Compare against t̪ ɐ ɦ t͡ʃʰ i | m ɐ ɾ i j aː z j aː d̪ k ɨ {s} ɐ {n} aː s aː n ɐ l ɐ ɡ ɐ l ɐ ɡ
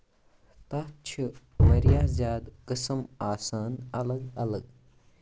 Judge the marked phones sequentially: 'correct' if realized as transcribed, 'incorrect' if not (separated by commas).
correct, incorrect